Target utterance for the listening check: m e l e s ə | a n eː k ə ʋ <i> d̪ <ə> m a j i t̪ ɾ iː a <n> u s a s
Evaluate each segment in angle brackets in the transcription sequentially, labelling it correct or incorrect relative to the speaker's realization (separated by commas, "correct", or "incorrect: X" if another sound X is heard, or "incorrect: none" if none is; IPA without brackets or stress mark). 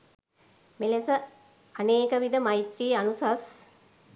correct, correct, correct